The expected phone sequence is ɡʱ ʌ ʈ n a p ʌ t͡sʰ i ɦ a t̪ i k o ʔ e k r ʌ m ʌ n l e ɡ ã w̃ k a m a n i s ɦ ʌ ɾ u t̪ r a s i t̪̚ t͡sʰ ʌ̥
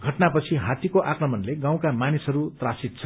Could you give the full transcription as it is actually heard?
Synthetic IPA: ɡʱ ʌ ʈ n a p ʌ t͡sʰ i ɦ a t̪ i k o ʔ a k r ʌ m ʌ n l e ɡ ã w̃ k a m a n i s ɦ ʌ ɾ u t̪ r a s i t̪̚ t͡sʰ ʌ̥